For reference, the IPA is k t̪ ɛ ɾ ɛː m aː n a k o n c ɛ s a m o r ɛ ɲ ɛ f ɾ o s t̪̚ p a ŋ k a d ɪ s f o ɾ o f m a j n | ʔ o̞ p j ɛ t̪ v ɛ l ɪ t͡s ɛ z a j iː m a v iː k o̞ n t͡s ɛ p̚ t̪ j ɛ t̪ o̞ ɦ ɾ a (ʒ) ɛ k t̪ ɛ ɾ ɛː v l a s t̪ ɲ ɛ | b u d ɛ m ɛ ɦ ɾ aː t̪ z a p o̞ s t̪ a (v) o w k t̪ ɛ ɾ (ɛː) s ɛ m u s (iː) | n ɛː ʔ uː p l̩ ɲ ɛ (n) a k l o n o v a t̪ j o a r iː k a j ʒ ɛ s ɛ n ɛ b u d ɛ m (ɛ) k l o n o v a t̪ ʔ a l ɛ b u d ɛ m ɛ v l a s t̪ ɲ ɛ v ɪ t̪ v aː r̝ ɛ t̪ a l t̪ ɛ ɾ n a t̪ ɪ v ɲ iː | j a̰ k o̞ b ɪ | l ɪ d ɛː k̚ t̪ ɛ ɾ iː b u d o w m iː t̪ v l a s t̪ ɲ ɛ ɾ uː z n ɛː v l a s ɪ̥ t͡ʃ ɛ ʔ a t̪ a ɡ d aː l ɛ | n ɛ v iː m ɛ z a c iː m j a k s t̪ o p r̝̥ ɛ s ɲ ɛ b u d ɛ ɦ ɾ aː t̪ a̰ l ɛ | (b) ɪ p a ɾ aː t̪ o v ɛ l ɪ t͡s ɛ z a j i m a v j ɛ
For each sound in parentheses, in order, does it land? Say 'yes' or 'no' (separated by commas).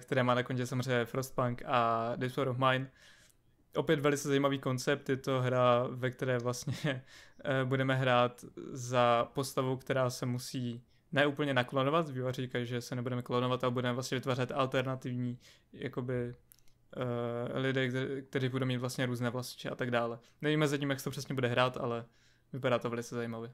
no, yes, no, yes, yes, yes, no